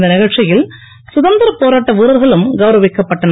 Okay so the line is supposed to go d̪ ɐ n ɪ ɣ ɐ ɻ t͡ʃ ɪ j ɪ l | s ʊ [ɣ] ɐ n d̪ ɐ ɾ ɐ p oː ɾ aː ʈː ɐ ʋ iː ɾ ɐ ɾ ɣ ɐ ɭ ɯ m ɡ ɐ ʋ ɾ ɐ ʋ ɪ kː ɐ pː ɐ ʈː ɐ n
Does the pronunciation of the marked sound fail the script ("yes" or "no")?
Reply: yes